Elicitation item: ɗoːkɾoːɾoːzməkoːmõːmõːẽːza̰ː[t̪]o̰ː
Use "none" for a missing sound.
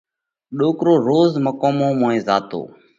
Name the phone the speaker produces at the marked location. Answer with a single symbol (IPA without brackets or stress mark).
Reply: t̪